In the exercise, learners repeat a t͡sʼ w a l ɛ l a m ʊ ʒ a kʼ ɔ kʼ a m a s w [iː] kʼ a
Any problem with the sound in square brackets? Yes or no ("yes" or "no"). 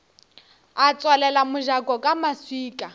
no